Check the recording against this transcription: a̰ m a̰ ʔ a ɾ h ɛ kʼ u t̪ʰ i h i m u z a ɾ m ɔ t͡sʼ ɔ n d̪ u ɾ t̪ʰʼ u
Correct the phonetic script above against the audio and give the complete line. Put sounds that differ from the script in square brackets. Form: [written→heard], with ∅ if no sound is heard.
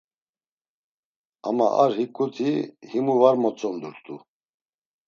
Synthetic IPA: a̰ m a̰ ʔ a ɾ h [ɛ→i] kʼ u t̪ʰ i h i m u [z→v] a ɾ m ɔ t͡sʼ ɔ n d̪ u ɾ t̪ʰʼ u